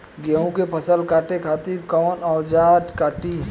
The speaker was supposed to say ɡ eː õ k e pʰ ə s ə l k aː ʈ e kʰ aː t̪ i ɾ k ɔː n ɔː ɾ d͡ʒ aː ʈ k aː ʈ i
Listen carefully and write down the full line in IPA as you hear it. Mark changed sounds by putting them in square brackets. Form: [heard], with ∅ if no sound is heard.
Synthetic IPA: ɡ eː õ k e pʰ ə s ə l k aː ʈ e kʰ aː t̪ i ɾ k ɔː n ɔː ɾ d͡ʒ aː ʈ k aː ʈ i